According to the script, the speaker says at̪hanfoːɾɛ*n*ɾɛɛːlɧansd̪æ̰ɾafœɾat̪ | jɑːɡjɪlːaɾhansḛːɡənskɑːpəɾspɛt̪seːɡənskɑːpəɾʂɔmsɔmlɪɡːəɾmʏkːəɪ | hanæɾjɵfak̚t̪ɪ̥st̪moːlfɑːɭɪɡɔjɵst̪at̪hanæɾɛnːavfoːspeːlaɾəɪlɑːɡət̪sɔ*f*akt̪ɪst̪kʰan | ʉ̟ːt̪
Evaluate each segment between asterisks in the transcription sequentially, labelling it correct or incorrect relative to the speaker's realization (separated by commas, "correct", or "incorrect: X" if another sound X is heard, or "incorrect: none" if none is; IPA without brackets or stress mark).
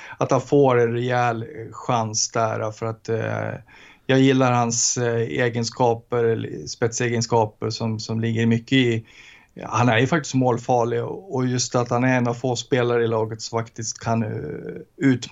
correct, correct